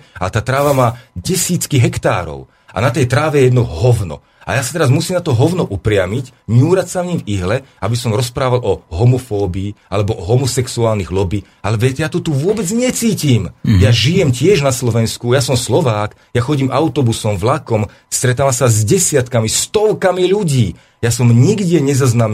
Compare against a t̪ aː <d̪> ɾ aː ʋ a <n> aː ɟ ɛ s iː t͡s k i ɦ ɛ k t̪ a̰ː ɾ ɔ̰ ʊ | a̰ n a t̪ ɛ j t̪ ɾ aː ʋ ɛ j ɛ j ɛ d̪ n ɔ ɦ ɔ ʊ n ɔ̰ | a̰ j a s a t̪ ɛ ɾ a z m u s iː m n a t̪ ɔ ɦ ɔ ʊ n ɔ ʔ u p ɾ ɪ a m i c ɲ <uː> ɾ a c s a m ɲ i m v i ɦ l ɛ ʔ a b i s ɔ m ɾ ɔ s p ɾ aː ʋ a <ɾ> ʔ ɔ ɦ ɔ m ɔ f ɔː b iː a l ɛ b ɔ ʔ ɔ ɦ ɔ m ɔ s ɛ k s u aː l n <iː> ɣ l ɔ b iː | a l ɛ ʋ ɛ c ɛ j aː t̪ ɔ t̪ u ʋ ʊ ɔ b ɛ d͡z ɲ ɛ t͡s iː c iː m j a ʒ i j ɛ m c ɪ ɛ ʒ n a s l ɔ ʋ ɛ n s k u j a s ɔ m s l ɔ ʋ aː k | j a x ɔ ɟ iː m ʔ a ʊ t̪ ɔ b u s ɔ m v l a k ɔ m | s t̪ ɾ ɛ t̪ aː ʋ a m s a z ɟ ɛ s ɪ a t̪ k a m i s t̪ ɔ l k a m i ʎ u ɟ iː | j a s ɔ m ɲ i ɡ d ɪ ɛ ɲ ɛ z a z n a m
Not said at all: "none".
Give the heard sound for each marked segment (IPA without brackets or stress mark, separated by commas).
t̪, m, uː, l, i